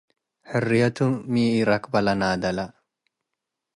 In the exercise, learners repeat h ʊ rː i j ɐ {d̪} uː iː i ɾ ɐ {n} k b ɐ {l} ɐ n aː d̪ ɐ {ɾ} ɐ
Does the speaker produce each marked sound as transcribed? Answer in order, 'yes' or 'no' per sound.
no, no, yes, no

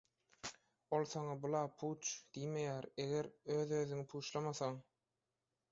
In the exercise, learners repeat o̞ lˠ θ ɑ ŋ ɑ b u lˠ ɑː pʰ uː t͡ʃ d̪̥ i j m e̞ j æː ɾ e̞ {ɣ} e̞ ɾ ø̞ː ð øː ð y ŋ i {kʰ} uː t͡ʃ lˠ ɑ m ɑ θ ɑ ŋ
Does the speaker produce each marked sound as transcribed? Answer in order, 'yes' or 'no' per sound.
yes, no

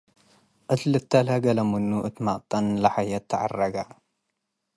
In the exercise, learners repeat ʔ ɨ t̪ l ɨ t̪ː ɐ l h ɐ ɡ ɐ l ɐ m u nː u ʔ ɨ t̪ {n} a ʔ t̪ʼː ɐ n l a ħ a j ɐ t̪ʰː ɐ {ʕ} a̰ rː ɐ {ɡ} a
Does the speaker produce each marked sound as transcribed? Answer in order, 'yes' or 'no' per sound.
no, yes, yes

